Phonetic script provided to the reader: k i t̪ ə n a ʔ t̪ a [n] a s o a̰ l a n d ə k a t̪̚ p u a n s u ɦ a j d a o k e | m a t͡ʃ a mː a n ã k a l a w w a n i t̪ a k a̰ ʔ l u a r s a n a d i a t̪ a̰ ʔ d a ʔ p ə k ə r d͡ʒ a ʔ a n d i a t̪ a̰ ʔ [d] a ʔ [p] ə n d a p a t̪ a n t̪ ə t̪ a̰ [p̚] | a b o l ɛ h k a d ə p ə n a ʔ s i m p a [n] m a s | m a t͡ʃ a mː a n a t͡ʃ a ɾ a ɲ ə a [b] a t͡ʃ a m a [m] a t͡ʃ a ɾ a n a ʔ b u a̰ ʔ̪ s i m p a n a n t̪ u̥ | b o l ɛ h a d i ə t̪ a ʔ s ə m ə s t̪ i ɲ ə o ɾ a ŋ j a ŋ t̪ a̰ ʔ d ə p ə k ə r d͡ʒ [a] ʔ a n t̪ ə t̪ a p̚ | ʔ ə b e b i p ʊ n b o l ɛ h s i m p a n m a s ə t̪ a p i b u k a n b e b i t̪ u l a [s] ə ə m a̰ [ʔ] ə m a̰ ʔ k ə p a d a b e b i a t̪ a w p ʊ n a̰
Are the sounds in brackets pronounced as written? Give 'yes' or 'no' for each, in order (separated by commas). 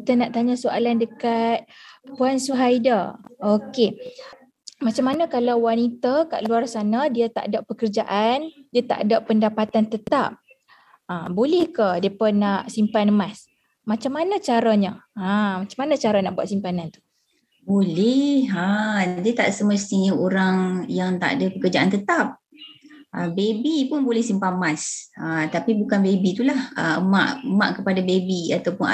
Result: no, yes, yes, yes, yes, no, no, yes, no, yes